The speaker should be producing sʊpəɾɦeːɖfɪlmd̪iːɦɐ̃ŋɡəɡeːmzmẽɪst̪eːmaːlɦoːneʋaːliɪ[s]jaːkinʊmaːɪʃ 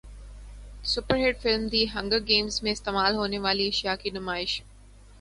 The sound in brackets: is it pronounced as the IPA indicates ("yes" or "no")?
no